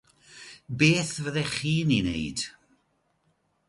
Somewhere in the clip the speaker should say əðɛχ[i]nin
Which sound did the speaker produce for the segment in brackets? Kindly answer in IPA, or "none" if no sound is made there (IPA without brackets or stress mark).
iː